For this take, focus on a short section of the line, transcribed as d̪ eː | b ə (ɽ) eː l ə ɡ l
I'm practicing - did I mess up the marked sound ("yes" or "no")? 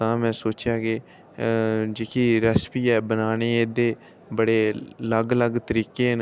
no